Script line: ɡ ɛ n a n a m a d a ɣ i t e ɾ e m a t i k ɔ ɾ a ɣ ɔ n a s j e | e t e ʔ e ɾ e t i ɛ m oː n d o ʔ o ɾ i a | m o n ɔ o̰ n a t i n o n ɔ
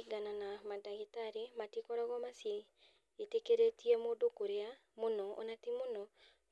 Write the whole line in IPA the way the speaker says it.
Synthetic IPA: ɡ a n a n a m a d a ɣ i t a ɾ e m a t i k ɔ ɾ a ɣ ɔ m a s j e | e t e k e ɾ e t i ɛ m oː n d o k o ɾ e a | m o n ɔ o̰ n a t i m o n ɔ